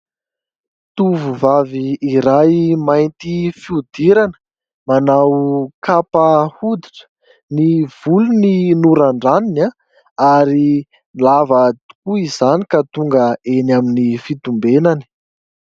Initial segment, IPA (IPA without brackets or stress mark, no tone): t̪